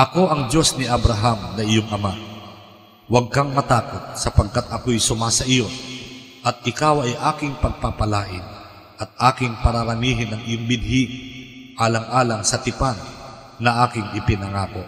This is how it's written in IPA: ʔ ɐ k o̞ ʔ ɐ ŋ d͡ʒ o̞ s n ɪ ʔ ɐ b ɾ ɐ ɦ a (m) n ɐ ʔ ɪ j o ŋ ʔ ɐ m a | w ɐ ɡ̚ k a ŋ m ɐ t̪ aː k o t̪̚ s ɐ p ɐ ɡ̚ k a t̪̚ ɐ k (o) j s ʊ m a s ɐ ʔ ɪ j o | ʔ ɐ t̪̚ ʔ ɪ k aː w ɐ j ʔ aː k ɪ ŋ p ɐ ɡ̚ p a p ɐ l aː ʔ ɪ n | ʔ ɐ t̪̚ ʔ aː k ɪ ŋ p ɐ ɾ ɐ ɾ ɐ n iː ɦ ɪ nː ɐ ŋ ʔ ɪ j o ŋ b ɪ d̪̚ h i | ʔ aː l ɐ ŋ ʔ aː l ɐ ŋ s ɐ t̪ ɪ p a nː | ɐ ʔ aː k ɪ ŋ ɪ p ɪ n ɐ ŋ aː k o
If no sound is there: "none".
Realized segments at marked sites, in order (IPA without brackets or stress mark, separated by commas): m, o